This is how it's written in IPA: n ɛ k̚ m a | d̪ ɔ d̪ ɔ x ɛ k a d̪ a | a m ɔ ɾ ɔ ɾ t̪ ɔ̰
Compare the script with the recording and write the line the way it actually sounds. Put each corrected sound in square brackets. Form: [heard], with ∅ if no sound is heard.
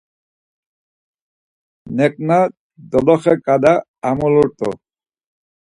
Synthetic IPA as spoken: n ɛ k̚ [n] a | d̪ ɔ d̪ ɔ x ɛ k a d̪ a | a m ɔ [l] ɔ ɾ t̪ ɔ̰